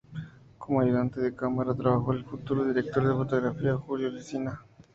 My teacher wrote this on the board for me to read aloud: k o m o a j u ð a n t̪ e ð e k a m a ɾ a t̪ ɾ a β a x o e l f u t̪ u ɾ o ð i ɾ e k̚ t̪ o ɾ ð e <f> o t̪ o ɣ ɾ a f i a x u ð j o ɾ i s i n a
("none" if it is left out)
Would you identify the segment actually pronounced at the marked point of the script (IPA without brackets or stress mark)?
f